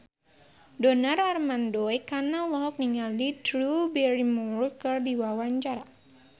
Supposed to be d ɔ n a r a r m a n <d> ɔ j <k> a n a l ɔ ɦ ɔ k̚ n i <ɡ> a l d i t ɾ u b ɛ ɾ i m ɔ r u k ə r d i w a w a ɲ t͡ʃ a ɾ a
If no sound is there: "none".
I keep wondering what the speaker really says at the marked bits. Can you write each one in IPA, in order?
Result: d, k, ŋ

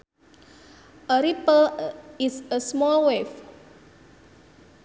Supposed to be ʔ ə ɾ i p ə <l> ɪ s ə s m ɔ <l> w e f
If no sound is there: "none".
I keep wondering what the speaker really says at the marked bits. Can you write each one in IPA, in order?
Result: l, l

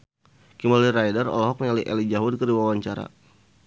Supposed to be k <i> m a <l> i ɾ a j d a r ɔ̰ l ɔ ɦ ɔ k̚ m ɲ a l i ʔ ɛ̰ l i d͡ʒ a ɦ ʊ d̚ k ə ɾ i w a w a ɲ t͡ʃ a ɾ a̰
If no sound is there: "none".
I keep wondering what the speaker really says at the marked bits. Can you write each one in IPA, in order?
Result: i, l

